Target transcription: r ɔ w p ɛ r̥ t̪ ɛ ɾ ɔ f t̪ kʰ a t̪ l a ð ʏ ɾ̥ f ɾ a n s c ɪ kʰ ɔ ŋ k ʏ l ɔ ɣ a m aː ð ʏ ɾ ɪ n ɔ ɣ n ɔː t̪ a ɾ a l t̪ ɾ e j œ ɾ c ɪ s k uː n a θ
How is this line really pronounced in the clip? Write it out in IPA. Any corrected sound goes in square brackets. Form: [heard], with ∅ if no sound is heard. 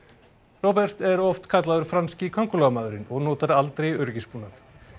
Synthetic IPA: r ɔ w p ɛ r̥ t̪ ɛ ɾ ɔ f t̪ kʰ a t̪ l a ð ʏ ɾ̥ f ɾ a n s c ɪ kʰ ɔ ŋ k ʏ l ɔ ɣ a m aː ð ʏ ɾ ɪ n ɔ ɣ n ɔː t̪ a ɾ a l t̪ ɾ e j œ ɾ c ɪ s [p] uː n a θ